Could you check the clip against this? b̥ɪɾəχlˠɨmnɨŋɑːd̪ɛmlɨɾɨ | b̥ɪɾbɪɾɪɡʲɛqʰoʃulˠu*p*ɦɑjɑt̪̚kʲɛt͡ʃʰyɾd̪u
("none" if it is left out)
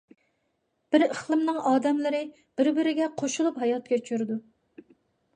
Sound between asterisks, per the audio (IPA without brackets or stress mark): p